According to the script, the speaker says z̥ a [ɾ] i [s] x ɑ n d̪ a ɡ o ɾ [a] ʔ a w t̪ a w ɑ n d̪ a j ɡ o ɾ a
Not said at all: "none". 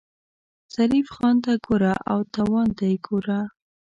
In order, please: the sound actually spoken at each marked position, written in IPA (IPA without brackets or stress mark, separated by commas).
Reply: ɾ, f, a